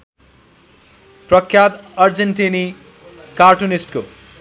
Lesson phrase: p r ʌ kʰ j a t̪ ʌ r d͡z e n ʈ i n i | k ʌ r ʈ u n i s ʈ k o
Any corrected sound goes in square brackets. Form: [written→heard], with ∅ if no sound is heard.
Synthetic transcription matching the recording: p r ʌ kʰ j a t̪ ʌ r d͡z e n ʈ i n i | k [ʌ→a] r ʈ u n i s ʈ k o